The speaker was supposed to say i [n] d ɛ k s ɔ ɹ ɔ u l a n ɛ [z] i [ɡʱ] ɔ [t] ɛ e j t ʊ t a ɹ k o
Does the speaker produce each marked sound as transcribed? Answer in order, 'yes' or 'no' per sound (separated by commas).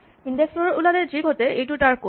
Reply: yes, yes, yes, yes